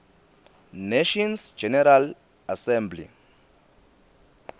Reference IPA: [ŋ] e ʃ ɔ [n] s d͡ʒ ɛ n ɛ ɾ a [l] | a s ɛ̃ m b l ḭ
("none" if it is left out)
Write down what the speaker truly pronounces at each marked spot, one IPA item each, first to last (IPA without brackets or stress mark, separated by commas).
n, n, l